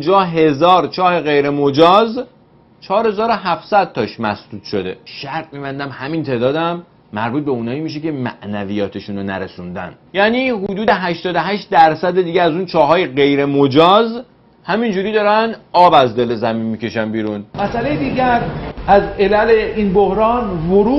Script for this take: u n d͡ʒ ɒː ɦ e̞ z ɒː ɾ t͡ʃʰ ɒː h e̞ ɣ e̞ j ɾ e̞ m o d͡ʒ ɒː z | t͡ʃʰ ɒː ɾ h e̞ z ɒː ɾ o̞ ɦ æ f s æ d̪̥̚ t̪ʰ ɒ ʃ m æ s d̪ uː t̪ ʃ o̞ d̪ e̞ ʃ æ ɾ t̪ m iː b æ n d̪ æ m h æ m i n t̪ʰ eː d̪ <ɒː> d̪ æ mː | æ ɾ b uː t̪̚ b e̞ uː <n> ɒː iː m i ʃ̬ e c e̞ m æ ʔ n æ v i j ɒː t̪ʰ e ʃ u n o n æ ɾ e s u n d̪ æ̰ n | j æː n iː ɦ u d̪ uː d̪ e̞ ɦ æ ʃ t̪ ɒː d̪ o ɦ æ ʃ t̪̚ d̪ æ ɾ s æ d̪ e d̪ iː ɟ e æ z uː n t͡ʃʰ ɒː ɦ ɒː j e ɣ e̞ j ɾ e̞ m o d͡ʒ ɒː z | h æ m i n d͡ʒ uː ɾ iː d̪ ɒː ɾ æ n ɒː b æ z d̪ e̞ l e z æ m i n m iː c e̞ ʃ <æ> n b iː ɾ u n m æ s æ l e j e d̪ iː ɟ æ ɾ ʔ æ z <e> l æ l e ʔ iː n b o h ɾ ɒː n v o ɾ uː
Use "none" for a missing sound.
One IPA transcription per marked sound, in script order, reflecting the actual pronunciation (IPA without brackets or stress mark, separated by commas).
ɒː, n, æ, e